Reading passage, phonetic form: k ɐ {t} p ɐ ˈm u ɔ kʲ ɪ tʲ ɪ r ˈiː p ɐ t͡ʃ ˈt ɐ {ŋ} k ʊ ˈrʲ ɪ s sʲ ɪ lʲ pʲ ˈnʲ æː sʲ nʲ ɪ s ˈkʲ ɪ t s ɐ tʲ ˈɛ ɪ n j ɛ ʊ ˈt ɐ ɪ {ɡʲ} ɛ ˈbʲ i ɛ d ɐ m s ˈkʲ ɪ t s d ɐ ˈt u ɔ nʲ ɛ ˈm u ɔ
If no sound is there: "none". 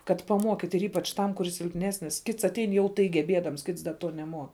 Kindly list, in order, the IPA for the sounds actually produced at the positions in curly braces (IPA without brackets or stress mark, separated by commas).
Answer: t, m, ɡʲ